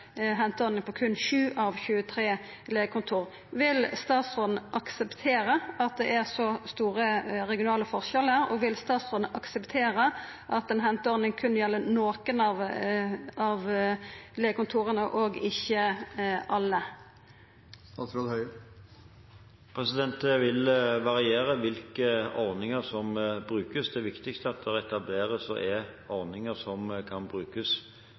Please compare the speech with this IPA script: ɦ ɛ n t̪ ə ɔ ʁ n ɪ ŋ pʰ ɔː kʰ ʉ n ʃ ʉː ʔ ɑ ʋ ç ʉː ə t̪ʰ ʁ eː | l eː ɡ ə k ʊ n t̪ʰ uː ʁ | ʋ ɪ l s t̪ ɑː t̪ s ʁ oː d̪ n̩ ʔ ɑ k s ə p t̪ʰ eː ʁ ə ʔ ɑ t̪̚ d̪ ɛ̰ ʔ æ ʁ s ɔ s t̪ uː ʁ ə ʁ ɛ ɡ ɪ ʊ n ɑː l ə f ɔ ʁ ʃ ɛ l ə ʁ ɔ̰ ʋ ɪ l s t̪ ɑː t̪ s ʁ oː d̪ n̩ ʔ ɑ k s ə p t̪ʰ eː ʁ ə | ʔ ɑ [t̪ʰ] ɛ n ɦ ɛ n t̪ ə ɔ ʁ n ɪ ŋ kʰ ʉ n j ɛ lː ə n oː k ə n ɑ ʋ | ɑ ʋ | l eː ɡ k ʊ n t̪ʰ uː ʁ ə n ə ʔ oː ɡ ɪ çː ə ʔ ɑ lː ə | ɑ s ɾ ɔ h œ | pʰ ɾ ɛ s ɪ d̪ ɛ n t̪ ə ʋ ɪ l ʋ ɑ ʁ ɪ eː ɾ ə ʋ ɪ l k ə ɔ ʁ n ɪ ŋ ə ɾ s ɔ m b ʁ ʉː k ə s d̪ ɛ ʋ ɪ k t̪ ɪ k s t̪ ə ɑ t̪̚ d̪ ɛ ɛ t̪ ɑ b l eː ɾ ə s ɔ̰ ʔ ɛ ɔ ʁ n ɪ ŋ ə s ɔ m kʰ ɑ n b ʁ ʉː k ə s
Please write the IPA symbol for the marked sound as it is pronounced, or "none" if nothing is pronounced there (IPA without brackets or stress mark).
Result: t̪